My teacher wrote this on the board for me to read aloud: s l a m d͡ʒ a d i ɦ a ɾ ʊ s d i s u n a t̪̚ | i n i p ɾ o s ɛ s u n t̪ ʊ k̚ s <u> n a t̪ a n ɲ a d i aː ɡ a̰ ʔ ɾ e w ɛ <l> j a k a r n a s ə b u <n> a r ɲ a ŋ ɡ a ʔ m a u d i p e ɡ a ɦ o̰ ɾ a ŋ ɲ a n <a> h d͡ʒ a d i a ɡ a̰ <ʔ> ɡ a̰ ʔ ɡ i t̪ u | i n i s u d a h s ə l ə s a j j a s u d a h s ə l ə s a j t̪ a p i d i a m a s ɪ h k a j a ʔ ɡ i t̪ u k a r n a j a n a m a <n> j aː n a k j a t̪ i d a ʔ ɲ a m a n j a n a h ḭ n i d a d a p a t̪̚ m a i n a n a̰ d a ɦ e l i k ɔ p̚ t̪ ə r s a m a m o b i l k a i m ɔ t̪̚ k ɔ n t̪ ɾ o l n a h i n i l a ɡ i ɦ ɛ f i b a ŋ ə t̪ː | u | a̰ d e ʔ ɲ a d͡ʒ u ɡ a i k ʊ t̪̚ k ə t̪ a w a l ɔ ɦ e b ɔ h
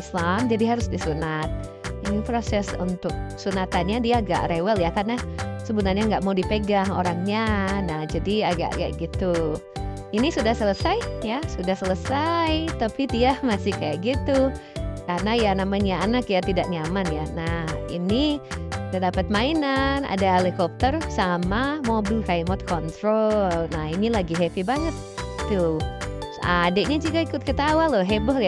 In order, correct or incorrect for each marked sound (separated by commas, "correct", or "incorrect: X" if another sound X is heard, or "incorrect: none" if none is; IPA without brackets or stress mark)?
correct, correct, correct, correct, correct, incorrect: ɲ